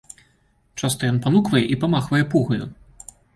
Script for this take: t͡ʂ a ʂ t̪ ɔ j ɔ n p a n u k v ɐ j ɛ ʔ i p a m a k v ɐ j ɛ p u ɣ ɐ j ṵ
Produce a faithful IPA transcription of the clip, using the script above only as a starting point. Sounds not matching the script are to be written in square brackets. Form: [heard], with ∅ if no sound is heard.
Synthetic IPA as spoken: t͡ʂ a [s] t̪ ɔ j ɔ n p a n u k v ɐ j ɛ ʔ i p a m a [x] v ɐ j ɛ p u ɣ ɐ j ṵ